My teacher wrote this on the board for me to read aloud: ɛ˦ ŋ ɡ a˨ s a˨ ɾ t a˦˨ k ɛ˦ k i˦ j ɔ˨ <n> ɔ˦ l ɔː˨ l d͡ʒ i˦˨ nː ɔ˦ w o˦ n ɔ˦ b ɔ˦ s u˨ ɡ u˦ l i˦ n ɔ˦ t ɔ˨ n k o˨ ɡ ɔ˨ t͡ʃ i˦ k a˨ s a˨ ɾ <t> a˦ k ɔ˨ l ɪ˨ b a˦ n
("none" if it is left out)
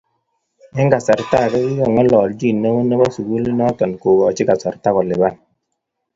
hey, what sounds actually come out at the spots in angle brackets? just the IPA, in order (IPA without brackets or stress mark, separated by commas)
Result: ŋ, t